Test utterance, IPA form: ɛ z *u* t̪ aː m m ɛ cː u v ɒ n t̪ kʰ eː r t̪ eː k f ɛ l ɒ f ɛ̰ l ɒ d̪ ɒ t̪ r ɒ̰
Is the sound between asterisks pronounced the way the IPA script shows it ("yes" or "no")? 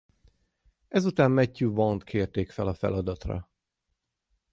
yes